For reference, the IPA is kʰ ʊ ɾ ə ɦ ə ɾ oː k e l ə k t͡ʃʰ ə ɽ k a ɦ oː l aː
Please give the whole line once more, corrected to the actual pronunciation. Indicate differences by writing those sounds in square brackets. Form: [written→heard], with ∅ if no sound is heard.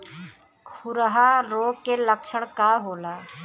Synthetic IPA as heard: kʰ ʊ ɾ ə ɦ [ə→a] ɾ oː k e l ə k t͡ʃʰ ə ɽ k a ɦ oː l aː